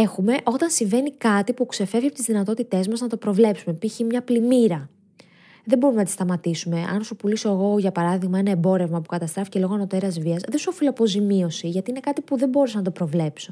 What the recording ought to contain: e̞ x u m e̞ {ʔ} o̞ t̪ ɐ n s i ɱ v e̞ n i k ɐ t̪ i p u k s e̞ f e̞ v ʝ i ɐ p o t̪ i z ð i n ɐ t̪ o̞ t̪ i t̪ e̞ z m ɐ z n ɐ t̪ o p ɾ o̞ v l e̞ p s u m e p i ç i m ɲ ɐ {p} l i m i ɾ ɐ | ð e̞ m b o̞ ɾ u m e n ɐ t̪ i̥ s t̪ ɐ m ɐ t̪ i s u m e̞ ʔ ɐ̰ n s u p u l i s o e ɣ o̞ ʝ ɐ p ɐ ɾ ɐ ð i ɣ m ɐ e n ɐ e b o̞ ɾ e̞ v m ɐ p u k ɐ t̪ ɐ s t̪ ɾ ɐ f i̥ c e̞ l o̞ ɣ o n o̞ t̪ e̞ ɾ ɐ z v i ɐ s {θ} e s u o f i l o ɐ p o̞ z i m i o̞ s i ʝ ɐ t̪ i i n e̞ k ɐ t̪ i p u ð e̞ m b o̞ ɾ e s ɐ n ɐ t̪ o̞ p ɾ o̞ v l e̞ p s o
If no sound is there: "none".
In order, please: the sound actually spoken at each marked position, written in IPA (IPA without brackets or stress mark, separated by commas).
ʔ, p, ð